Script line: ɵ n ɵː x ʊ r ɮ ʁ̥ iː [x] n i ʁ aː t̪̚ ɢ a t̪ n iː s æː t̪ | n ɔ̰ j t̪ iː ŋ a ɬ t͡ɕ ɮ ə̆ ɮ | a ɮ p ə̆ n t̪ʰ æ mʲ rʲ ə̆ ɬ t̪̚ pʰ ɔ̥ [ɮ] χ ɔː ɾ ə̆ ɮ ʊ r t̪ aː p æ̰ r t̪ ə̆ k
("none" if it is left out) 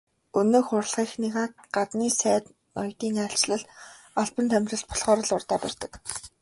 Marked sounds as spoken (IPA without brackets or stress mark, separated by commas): x, ɮ